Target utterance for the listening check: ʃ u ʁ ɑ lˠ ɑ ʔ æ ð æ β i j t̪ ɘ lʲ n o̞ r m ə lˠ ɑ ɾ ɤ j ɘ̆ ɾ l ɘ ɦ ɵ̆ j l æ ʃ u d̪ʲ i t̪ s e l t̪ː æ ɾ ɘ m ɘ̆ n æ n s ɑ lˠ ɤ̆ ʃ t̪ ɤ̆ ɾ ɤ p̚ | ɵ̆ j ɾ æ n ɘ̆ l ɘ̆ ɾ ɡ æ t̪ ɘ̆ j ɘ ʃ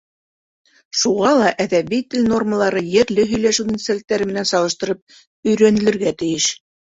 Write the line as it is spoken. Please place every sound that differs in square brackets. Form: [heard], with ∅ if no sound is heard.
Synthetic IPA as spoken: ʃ u ʁ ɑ lˠ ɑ ʔ æ ð æ β i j t̪ ɘ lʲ n o̞ r m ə lˠ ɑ ɾ ɤ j ɘ̆ ɾ l ɘ ɦ ɵ̆ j l æ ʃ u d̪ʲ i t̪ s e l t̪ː æ ɾ ɘ m ɘ̆ n æ n s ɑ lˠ ɤ̆ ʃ t̪ ɤ̆ ɾ ɤ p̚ | ɵ̆ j ɾ æ n ɘ̆ l ɘ̆ ɾ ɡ æ t̪ ɘ̆ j ɘ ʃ